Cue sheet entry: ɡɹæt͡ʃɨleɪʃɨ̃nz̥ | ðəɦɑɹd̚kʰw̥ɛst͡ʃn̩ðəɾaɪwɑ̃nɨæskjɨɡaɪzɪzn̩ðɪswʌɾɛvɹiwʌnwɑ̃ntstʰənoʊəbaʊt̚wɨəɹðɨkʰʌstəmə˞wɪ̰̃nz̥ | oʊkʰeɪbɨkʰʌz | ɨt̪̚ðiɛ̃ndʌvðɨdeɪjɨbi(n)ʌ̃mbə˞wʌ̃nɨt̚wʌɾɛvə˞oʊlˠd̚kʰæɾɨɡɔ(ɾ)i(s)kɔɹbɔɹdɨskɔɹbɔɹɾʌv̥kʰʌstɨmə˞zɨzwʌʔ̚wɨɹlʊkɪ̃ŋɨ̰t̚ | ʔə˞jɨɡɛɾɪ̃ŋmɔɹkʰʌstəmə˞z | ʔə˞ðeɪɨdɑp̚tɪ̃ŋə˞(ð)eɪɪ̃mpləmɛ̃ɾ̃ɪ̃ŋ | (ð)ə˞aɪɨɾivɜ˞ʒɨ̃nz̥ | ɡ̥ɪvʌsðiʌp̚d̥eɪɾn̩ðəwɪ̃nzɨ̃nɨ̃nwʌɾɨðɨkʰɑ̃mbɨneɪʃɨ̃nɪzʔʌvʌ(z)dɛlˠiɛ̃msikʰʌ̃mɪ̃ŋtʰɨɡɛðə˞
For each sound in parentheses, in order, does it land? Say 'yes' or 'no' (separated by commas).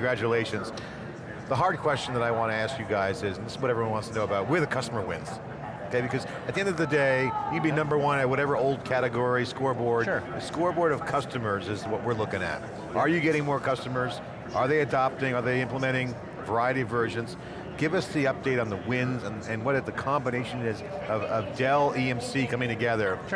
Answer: yes, no, yes, yes, no, no